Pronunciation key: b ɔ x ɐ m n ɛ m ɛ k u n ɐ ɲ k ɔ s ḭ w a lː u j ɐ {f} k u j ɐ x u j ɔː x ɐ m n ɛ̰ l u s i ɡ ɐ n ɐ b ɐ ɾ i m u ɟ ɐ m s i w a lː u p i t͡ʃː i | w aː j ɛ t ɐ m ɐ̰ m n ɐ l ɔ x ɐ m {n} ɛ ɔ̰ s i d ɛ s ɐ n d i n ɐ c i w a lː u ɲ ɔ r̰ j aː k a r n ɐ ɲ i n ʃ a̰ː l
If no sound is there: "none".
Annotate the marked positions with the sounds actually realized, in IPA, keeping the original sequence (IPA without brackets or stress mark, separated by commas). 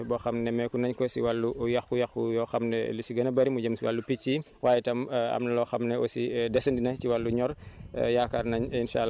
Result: x, n